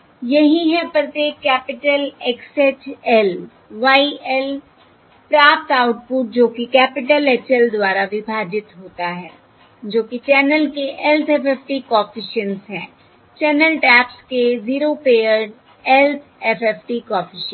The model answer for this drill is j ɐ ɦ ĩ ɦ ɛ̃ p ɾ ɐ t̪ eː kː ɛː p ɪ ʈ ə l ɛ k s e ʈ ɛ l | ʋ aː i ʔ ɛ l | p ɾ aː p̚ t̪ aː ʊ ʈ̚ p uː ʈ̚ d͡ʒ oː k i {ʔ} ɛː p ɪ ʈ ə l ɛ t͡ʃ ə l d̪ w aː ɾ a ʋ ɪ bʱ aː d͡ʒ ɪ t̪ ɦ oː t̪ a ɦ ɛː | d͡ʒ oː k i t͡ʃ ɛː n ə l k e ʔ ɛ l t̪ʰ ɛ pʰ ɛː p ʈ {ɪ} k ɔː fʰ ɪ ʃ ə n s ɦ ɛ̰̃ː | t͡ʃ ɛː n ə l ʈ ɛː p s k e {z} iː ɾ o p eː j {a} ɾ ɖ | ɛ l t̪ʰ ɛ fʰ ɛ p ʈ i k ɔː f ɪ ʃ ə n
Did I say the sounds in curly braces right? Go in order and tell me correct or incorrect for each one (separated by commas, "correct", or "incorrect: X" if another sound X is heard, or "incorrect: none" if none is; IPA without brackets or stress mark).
incorrect: k, incorrect: i, correct, incorrect: ə